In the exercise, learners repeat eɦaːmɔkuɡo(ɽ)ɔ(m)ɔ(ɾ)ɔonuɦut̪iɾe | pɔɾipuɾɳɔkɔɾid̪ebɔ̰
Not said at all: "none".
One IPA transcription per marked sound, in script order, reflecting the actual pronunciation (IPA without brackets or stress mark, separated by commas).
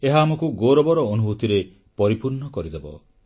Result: ɾ, b, ɾ